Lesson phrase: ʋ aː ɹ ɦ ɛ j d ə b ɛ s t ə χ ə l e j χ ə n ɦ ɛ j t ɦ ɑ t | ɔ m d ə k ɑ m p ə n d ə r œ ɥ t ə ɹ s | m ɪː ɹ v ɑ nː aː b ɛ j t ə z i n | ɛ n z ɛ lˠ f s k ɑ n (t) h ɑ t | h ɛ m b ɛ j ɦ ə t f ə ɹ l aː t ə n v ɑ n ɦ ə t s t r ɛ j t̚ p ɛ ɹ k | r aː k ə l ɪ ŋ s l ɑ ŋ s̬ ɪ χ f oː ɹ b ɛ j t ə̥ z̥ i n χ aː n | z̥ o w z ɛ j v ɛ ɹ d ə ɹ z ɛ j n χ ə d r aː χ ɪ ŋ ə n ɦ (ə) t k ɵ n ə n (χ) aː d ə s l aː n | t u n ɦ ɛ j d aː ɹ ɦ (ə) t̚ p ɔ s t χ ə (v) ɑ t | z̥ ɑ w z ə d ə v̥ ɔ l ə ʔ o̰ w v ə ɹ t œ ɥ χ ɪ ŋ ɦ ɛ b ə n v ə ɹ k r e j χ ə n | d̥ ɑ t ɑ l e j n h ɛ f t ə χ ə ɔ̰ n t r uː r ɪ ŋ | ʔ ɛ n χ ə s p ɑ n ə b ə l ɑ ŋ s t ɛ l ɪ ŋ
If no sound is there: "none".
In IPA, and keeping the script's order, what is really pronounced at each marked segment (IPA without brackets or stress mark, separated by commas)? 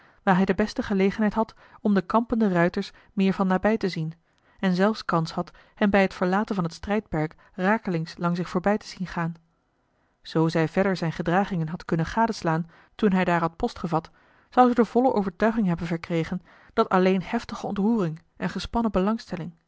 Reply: s, ɑ, χ, ɑ, v